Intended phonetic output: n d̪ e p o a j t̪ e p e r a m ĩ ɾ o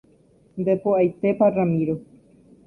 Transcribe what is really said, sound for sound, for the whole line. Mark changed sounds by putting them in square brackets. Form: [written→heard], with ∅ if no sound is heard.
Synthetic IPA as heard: n d̪ e p o a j t̪ e p [e→a] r a m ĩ ɾ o